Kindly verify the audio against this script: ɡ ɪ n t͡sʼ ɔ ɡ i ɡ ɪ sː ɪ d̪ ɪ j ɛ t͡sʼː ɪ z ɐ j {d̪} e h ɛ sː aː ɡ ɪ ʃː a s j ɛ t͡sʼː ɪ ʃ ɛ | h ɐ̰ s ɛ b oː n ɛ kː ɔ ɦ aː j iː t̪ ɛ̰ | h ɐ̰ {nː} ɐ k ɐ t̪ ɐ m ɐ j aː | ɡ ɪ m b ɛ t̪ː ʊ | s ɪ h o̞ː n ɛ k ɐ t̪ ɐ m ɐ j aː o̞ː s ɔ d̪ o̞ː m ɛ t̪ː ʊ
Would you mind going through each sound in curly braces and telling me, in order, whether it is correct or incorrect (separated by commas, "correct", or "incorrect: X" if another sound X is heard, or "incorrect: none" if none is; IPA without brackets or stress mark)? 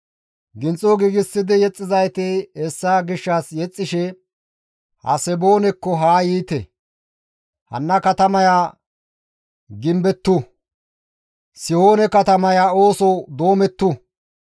incorrect: t̪, correct